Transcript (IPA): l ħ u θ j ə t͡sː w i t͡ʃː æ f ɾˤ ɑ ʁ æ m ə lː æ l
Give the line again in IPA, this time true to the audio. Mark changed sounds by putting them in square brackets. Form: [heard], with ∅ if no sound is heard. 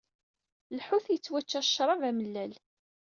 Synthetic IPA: l ħ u θ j ə t͡sː w [æ] t͡ʃː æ [ʃ] ɾˤ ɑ [v] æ m ə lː æ l